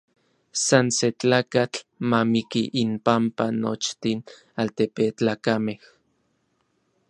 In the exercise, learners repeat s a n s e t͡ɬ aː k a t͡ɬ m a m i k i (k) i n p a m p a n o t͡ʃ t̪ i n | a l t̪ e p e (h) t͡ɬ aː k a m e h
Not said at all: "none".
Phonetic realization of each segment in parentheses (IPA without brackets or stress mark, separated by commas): ʔ, none